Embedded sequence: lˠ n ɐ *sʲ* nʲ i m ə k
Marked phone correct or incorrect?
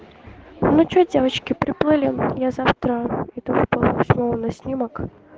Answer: correct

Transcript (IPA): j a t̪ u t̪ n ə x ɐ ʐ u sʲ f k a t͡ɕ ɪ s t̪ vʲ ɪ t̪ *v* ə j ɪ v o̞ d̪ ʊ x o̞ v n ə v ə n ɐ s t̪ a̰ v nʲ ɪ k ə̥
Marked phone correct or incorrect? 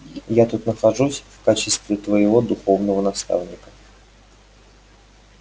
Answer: correct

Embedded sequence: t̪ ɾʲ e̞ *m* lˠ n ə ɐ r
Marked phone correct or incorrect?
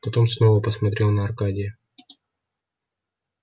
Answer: incorrect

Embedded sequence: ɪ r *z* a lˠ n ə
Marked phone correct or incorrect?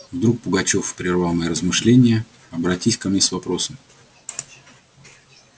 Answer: incorrect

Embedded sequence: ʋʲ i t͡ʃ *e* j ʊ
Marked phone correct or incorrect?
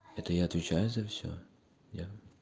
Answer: incorrect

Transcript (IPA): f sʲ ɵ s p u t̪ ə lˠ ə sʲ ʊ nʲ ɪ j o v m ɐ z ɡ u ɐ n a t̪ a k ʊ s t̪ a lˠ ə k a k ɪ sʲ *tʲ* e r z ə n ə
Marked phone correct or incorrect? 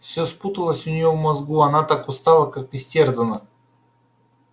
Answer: correct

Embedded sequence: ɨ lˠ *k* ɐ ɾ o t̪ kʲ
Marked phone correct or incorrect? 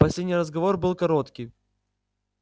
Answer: correct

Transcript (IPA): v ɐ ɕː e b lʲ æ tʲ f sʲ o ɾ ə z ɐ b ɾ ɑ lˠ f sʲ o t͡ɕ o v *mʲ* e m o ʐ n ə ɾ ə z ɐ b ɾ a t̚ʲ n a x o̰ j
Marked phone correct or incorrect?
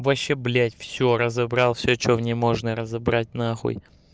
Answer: incorrect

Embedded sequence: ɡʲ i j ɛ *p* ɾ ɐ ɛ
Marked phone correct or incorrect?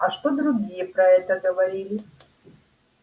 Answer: correct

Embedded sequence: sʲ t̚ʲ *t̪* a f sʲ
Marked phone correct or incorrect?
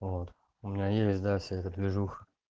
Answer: incorrect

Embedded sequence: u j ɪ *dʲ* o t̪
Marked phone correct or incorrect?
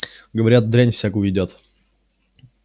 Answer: correct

